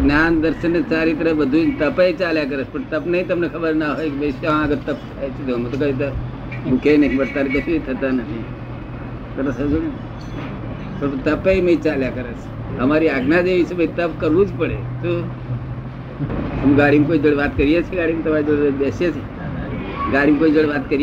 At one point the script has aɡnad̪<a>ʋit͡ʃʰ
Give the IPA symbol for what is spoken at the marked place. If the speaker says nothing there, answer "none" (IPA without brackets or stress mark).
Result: e